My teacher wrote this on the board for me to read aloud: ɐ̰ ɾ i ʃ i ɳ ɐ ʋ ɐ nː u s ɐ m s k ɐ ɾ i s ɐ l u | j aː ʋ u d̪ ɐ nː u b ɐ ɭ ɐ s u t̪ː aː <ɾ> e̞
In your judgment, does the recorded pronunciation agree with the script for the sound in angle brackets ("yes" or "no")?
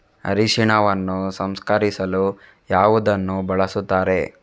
yes